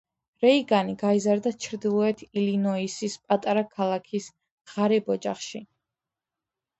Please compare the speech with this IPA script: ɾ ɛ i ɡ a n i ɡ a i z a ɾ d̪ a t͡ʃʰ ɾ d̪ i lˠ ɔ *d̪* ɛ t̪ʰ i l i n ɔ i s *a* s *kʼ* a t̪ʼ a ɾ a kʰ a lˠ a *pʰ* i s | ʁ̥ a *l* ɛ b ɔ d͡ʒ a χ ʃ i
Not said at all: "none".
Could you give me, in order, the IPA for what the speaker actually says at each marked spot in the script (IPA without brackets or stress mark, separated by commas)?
none, i, pʼ, kʰ, ɾ